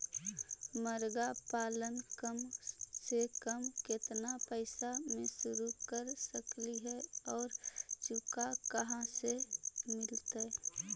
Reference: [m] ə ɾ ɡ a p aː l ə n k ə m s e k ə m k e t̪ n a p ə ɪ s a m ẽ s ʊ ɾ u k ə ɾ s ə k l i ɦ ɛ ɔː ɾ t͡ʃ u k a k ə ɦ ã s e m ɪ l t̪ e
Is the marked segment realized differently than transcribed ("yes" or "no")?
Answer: no